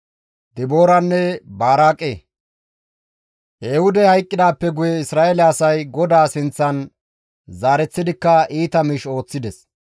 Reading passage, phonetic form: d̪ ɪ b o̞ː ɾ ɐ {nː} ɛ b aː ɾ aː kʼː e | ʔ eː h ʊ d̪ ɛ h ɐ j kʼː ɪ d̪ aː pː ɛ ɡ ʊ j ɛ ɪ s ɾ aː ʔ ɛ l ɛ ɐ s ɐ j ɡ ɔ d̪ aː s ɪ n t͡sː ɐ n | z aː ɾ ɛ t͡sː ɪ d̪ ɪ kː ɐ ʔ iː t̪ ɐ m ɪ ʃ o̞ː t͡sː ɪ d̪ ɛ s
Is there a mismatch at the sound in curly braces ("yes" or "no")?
no